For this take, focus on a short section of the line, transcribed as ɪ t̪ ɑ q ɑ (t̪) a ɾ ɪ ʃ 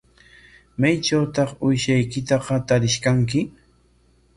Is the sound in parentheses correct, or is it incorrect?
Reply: correct